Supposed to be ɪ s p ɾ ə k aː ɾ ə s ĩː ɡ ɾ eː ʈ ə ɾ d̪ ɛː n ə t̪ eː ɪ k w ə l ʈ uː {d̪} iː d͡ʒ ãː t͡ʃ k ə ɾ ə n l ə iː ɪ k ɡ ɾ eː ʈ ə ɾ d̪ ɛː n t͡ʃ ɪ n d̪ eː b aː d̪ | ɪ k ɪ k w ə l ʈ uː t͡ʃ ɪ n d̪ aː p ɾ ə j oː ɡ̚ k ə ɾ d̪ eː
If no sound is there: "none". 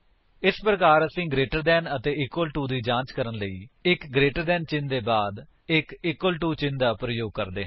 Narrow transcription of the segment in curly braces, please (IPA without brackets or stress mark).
d̪